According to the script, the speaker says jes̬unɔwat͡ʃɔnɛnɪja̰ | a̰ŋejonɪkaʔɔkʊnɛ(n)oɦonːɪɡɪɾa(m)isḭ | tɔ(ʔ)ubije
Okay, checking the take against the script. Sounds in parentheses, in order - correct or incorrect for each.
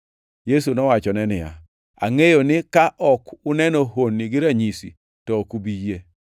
correct, incorrect: ɲ, incorrect: k

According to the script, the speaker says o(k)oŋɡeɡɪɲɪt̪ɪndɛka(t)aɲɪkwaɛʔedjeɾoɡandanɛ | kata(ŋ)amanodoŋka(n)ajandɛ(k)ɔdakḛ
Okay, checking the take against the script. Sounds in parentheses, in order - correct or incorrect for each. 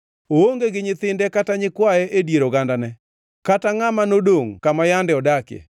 incorrect: none, correct, correct, incorrect: m, incorrect: none

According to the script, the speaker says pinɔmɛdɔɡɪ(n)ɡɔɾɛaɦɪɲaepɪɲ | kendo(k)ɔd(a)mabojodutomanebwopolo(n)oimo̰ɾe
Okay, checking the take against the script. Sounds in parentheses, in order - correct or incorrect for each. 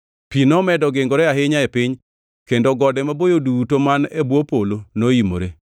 incorrect: ŋ, incorrect: ɡ, incorrect: ɛ, correct

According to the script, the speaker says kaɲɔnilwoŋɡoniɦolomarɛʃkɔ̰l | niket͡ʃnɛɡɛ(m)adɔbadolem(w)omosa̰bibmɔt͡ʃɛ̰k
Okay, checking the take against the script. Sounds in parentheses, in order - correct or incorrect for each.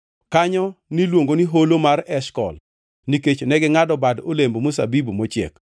incorrect: ŋ, incorrect: b

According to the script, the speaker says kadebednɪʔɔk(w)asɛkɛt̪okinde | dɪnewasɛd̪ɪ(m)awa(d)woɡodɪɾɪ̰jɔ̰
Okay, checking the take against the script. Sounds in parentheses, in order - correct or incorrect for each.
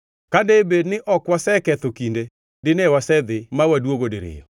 correct, correct, correct

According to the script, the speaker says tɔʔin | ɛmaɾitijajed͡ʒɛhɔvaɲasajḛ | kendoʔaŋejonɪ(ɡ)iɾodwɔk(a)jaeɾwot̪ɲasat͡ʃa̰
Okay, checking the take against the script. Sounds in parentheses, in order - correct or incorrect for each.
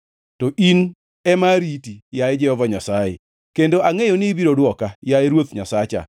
incorrect: b, correct

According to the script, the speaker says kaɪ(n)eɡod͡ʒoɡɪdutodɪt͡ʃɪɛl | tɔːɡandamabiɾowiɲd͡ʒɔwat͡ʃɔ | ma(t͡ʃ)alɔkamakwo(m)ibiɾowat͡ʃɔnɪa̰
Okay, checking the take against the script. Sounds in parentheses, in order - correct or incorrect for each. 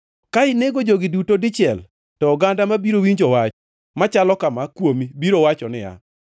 correct, correct, correct

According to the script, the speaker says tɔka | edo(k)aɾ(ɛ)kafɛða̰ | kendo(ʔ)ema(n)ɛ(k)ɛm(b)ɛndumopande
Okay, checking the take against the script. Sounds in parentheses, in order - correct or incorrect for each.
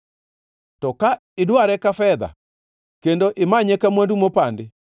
incorrect: none, correct, correct, incorrect: ɲ, correct, incorrect: w

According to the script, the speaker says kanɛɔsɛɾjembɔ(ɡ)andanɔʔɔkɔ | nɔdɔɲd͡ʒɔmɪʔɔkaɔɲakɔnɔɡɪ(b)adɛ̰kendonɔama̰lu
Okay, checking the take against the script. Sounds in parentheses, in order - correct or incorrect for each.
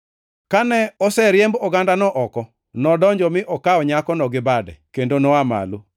correct, correct

